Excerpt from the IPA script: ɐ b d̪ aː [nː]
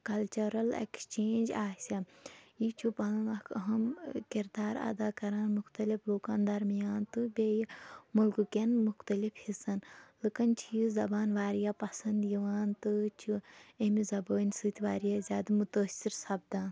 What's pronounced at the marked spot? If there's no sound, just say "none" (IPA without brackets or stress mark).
n